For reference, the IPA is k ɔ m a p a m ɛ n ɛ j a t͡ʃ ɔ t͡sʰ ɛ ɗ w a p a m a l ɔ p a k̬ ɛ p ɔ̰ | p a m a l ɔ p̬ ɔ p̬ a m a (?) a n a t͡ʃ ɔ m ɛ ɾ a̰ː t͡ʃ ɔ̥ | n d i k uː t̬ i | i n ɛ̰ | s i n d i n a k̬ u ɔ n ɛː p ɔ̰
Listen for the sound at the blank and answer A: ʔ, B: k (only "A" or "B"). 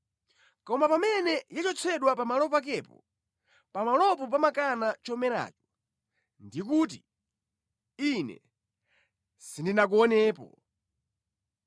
B